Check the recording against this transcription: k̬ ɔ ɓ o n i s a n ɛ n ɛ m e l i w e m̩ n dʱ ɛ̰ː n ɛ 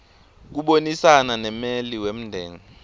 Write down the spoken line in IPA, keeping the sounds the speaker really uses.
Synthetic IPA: k̬ u ɓ o n i s a n a n ɛ m e l i w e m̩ n dʱ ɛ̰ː ŋ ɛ